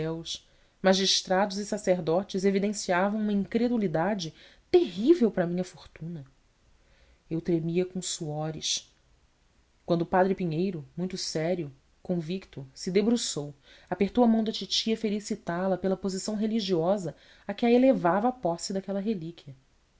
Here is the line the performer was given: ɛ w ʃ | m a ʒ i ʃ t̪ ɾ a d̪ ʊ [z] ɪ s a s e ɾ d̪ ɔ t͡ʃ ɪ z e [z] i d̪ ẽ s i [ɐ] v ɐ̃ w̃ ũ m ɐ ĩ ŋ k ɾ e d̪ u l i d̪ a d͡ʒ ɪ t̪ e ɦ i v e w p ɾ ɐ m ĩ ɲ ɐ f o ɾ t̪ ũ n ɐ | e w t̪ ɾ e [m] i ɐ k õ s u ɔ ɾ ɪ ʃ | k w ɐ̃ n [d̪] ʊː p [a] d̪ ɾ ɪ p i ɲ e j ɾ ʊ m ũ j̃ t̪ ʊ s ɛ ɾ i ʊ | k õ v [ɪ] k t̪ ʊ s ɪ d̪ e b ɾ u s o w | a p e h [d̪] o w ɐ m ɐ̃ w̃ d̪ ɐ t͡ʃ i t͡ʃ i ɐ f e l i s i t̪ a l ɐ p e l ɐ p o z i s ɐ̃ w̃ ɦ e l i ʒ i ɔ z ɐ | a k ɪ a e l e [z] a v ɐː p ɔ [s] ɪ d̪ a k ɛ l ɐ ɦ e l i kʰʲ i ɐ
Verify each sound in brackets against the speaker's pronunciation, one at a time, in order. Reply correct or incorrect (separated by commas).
correct, incorrect, incorrect, correct, correct, correct, incorrect, incorrect, incorrect, correct